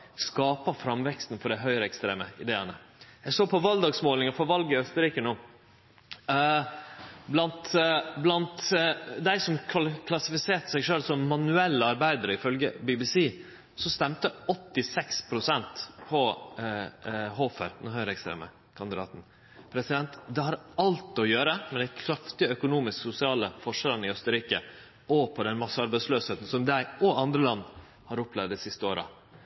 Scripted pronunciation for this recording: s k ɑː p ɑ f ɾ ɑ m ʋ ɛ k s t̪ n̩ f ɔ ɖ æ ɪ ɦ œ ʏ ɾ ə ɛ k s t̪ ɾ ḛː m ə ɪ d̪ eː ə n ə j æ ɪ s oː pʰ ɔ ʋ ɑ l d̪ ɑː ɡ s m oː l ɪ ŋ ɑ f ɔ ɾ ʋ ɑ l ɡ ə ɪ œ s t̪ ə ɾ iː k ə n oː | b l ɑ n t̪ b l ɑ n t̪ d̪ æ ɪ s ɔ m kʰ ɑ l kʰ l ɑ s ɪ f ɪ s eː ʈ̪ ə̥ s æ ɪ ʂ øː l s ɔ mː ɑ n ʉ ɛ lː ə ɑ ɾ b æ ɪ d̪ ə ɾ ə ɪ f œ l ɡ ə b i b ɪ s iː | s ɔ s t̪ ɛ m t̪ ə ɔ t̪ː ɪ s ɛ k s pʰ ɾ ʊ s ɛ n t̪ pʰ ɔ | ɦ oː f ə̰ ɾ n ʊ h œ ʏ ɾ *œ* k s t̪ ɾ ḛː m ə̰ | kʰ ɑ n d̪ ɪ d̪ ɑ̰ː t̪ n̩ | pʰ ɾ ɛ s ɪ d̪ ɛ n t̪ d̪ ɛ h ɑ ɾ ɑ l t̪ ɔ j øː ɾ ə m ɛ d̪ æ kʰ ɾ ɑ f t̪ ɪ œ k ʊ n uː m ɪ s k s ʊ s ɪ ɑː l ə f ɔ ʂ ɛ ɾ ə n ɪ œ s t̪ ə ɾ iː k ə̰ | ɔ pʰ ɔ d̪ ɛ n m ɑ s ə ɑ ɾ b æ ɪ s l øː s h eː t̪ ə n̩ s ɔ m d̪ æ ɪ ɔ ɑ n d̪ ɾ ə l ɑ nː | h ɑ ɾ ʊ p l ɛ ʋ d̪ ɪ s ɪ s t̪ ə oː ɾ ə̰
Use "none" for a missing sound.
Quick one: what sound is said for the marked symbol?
ɛ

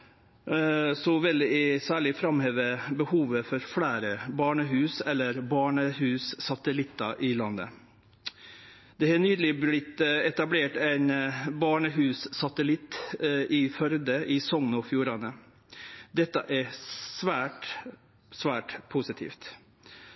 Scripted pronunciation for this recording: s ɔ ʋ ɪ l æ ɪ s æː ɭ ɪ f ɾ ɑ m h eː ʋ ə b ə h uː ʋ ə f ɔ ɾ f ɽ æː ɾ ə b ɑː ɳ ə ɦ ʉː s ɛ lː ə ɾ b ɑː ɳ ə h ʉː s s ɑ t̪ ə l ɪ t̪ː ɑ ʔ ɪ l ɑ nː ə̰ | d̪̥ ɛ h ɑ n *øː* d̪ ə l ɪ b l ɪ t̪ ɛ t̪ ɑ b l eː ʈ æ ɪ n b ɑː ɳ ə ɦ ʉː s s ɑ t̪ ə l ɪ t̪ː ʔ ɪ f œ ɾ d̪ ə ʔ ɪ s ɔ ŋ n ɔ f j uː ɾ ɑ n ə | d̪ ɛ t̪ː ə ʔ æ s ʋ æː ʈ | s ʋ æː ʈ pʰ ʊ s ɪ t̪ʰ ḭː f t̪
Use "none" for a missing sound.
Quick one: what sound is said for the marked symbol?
yː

